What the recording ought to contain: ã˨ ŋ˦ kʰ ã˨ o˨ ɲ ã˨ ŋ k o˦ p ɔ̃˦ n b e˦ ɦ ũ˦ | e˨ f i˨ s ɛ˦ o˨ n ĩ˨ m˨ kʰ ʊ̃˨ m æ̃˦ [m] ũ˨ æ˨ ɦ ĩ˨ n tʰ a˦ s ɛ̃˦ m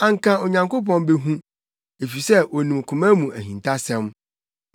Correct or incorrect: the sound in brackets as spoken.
correct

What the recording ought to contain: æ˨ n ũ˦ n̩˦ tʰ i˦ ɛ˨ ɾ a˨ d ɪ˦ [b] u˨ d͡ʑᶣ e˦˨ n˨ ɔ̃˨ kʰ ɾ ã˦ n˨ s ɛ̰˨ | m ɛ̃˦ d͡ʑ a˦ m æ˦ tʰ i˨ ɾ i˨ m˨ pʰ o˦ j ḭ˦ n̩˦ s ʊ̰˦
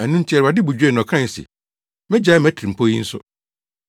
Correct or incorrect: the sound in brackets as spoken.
correct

